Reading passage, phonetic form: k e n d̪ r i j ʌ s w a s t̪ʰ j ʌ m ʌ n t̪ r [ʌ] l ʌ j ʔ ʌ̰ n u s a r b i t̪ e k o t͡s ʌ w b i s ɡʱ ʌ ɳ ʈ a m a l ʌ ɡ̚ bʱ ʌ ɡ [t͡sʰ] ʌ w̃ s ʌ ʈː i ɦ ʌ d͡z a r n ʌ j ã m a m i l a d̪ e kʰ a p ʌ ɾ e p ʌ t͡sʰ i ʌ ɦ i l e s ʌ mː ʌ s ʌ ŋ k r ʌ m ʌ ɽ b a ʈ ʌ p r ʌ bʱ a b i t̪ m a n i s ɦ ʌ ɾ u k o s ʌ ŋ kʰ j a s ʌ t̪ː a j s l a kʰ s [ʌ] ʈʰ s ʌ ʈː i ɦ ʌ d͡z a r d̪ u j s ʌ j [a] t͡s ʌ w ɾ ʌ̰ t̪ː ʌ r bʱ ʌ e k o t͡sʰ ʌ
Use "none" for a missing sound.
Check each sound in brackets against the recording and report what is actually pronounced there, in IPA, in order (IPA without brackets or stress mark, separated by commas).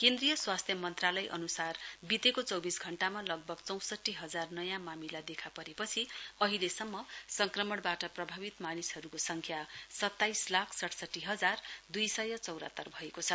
a, t͡s, ʌ, ʌ